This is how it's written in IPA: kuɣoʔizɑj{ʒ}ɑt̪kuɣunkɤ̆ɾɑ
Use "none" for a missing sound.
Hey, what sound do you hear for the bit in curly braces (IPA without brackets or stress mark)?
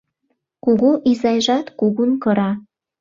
ʒ